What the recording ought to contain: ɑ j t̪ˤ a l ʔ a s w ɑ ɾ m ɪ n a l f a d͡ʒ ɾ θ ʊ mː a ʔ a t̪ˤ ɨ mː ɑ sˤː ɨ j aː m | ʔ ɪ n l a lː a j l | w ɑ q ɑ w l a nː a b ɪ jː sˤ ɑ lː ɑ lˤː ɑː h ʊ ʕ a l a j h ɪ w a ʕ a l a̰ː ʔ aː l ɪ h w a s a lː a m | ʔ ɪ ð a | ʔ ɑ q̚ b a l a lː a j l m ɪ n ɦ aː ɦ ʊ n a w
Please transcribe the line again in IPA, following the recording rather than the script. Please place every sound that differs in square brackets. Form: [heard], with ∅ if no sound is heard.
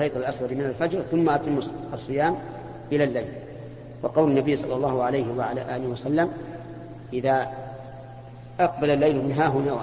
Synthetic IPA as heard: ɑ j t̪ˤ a l ʔ a s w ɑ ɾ m ɪ n a l f a d͡ʒ ɾ θ ʊ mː a ʔ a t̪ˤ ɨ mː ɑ sˤː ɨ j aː m | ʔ ɪ [∅] l a lː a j l | w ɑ q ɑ w l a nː a b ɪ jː sˤ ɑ lː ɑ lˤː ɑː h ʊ ʕ a l a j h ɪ w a ʕ a l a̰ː ʔ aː l ɪ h w a s a lː a m | ʔ ɪ ð a | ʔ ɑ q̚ b a l a lː a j l m ɪ n ɦ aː ɦ ʊ n a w